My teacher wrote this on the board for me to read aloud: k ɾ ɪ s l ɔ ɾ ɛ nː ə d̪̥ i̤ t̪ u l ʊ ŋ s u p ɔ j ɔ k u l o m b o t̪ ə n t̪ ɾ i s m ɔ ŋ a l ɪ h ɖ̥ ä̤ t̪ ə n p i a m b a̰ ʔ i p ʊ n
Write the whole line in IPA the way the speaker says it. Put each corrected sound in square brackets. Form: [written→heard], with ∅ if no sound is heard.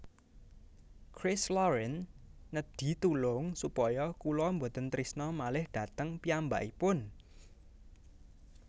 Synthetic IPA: k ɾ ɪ s l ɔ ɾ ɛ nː ə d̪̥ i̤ t̪ u l ʊ ŋ s u p ɔ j ɔ k u l [o→ɔ] m b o t̪ ə n t̪ ɾ i s [m→n] ɔ [ŋ→m] a l ɪ h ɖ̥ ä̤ t̪ ə [n→ŋ] p i a m b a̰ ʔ i p ʊ n